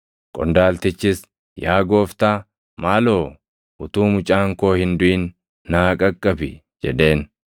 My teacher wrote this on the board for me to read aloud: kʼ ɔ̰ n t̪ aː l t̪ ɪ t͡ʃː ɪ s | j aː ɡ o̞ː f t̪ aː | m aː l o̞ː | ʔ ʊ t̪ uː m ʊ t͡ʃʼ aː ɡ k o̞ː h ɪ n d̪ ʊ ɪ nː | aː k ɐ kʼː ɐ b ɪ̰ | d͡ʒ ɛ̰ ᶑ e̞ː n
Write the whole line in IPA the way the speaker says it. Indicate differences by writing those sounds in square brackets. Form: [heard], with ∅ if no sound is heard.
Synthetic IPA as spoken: kʼ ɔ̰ n [d̪] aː l t̪ ɪ t͡ʃː ɪ s | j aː ɡ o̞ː f t̪ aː | m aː l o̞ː | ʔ ʊ t̪ uː m ʊ t͡ʃʼ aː [ŋ] k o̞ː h ɪ n d̪ ʊ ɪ nː | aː [kʼ] ɐ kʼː ɐ b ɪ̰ | d͡ʒ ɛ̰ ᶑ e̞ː n